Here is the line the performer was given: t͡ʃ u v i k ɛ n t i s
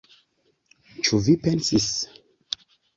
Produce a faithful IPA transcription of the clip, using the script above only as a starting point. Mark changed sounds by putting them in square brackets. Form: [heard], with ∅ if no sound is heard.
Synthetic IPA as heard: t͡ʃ u v i [p] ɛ n [s] i s